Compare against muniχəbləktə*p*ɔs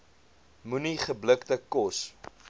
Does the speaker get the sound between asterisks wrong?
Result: yes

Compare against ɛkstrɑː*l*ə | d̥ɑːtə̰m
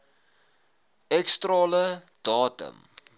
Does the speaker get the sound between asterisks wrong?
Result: no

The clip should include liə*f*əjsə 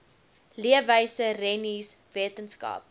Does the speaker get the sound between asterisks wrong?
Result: yes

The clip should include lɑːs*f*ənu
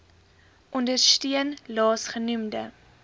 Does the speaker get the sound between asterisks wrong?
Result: yes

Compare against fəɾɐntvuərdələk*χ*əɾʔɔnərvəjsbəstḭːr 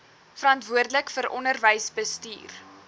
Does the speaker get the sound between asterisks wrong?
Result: yes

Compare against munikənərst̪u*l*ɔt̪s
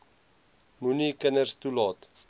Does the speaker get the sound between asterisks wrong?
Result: no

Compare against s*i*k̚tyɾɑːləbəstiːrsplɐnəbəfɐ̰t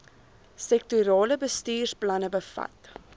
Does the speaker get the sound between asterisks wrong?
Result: yes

